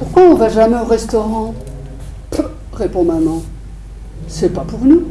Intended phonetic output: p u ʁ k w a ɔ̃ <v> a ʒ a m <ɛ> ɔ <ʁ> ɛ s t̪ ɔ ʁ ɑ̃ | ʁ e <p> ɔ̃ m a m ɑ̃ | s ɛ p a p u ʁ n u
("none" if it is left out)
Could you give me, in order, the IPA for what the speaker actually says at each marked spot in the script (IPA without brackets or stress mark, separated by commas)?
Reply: v, ɛ, ʁ, p